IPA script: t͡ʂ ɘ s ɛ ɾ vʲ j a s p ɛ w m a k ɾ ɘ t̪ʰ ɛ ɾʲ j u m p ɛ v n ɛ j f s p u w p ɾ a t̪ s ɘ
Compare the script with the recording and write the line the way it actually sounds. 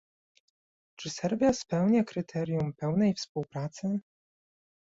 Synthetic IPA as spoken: t͡ʂ ɘ s ɛ ɾ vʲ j a s p ɛ w ɲ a k ɾ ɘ t̪ʰ ɛ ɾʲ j u m p ɛ w n ɛ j f s p u w p ɾ a t̪ s ɘ